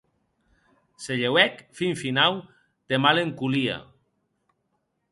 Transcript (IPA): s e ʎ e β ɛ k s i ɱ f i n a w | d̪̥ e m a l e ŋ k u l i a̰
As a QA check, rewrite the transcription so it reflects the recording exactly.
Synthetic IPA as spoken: s e ʎ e w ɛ k f i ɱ f i n a w | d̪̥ e m a l e ŋ k u l i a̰